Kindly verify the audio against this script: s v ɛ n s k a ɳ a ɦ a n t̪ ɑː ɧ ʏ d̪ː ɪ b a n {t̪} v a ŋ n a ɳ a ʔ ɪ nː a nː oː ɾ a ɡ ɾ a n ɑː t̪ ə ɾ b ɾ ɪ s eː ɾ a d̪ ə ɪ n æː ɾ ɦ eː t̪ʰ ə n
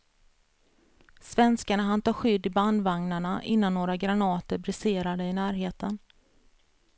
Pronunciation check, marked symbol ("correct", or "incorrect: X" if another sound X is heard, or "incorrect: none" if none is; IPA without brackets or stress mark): incorrect: d̪